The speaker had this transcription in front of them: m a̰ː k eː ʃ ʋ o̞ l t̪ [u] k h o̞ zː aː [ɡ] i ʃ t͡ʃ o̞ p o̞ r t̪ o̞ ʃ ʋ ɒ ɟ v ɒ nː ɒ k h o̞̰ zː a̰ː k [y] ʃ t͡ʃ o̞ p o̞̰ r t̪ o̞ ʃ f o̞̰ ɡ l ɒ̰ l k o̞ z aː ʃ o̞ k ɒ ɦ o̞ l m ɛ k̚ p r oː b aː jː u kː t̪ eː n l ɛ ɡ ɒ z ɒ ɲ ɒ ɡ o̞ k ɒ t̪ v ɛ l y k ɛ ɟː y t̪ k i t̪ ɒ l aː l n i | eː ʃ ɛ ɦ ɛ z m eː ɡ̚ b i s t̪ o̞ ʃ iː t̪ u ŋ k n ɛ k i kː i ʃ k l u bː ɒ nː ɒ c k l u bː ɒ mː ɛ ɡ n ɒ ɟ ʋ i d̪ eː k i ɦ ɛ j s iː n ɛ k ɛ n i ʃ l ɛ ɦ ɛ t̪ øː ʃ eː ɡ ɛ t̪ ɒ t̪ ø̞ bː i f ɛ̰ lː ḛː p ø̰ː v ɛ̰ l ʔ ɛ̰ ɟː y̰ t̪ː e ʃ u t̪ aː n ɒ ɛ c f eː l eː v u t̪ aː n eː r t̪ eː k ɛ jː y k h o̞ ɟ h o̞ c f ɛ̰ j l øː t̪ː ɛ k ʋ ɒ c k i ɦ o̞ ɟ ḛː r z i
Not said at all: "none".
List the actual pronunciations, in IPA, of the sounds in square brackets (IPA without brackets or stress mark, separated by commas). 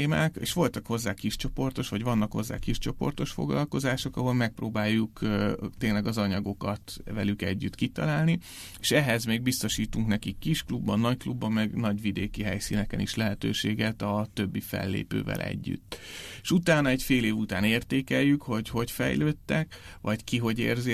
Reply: ɒ, k, i